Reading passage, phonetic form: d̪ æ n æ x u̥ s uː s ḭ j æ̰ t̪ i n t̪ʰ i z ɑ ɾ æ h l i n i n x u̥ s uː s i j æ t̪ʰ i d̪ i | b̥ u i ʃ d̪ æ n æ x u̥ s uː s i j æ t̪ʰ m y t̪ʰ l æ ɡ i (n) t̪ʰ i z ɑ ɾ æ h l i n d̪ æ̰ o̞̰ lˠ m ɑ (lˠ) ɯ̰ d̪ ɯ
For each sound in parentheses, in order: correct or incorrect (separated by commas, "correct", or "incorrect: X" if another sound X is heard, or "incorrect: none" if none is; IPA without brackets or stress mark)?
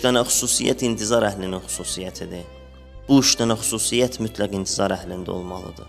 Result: correct, correct